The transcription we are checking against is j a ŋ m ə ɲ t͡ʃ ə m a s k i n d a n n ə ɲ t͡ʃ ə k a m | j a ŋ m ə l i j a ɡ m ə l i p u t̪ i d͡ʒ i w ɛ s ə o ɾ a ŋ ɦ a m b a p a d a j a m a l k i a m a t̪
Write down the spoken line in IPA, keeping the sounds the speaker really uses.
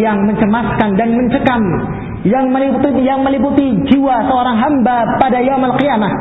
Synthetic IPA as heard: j a ŋ m ə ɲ t͡ʃ ə m a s k a n d a n m ə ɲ t͡ʃ ə k a m | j a ŋ m ə l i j a ŋ m ə l i p u t̪ i d͡ʒ i w a s ə o ɾ a ŋ ɦ a m b a p a d a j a m a l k i a m a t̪